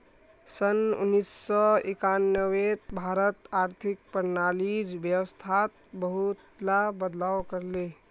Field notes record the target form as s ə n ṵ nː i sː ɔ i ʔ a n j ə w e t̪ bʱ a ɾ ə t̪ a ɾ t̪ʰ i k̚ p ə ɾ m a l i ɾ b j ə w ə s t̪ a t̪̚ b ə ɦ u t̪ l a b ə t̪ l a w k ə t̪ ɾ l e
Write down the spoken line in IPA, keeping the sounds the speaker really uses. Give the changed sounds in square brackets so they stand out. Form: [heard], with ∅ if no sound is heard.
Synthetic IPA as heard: s ə n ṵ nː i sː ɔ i [k] a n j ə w e t̪ bʱ a ɾ ə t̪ a ɾ t̪ʰ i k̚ p ə ɾ [n] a l i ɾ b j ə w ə s [t̪ʰ] a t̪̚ b ə ɦ u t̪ l a b ə [d̪] l a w k ə [∅] ɾ l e